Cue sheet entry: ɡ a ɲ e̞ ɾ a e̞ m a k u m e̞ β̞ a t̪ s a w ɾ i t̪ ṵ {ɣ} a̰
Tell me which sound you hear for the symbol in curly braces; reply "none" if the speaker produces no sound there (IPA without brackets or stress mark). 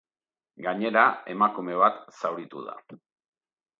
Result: ð